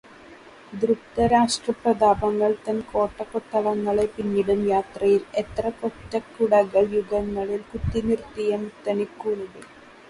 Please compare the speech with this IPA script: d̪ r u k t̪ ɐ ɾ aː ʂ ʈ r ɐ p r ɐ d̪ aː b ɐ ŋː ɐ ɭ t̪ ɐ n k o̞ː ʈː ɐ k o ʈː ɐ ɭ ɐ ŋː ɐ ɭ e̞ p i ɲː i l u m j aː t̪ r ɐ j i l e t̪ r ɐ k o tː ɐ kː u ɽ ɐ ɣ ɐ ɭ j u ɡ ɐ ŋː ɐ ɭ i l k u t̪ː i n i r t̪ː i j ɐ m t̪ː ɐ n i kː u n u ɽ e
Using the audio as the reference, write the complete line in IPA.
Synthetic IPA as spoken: d̪ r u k t̪ ɐ ɾ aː ʂ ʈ r ɐ p r ɐ d̪ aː b ɐ ŋː ɐ ɭ t̪ ɐ n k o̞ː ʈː ɐ k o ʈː ɐ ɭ ɐ ŋː ɐ ɭ e̞ p i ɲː i ɽ u m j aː t̪ r ɐ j i l e t̪ r ɐ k o tː ɐ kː u ɽ ɐ ɣ ɐ ɭ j u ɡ ɐ ŋː ɐ ɭ i l k u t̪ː i n i r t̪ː i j ɐ m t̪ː ɐ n i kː u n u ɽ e